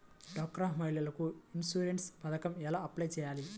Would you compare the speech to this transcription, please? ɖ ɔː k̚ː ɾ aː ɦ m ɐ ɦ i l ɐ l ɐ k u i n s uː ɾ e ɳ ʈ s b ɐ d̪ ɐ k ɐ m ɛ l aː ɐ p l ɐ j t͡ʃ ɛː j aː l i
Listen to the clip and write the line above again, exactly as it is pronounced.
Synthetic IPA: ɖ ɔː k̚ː ɾ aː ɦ m ɐ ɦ i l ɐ l ɐ k u i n s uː ɾ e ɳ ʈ s p ɐ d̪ ɐ k ɐ m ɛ l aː ɐ p l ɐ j t͡ʃ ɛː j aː l i